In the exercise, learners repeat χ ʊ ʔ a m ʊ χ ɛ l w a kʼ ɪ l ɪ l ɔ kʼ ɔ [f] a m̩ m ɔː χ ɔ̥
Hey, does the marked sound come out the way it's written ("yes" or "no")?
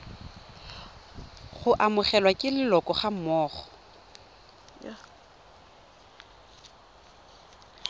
no